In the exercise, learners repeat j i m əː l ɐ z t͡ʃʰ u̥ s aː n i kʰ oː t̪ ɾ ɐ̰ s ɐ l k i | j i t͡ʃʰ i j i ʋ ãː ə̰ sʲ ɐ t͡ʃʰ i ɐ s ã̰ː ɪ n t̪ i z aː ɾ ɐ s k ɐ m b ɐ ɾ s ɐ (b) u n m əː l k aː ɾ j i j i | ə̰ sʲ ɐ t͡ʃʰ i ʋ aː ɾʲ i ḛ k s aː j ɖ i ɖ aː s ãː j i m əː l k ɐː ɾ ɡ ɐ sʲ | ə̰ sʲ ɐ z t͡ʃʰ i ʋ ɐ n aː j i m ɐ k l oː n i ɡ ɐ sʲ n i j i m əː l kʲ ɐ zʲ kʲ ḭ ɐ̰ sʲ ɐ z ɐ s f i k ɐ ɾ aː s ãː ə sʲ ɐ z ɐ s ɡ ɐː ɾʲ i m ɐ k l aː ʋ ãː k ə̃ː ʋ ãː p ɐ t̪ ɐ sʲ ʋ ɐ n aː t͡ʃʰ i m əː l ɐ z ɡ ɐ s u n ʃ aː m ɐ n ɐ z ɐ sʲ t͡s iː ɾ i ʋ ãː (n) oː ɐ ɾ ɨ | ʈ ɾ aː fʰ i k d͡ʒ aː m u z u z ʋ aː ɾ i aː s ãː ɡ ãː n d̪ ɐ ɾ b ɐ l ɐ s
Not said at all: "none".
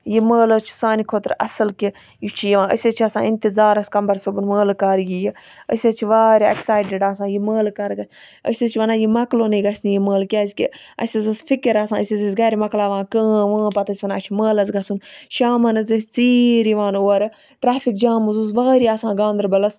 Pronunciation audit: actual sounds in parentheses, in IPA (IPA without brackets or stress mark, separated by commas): b, n